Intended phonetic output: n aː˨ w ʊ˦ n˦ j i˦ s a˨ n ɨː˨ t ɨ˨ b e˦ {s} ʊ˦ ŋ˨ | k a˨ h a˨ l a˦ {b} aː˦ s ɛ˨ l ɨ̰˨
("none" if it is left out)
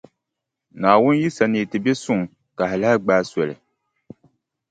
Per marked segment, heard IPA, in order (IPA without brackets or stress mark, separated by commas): s, ɡ͡b